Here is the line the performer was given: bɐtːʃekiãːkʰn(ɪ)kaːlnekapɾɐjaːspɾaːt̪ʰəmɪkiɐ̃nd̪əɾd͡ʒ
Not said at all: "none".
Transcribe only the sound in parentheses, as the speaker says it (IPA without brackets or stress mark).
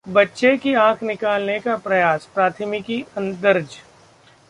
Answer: ɪ